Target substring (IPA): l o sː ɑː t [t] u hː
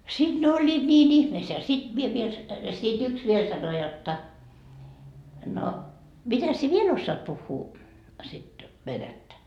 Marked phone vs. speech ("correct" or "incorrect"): incorrect